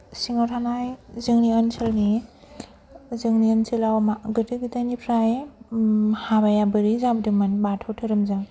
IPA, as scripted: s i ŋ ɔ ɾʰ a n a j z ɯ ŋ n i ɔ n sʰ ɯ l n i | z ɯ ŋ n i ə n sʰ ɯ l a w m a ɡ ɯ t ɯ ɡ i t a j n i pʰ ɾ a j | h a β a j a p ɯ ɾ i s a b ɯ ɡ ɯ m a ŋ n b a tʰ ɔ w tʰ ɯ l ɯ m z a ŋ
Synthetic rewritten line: s i ŋ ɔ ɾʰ a n a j z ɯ ŋ n i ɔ n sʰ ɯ l n i | z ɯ ŋ n i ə n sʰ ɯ l a w m a ɡ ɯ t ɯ ɡ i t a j n i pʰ ɾ a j | h a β a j a b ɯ ɾ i z a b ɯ d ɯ m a n b a tʰ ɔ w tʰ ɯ ɾ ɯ m z a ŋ